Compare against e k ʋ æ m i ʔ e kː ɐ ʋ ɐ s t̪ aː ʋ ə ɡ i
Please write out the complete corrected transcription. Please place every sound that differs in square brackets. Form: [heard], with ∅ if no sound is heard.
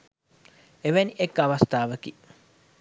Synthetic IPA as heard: e [∅] ʋ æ [n] i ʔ e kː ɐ ʋ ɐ s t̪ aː ʋ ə [k] i